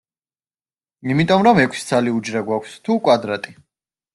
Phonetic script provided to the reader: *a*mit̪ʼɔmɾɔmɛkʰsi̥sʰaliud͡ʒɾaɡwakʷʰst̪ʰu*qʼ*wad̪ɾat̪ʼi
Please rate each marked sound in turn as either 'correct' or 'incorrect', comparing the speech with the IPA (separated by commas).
incorrect, incorrect